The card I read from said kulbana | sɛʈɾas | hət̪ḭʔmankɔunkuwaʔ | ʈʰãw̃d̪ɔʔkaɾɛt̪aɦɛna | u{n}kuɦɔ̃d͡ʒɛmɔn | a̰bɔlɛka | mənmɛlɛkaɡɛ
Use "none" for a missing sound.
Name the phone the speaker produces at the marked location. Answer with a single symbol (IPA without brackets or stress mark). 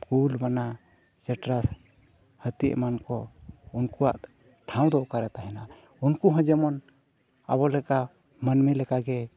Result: n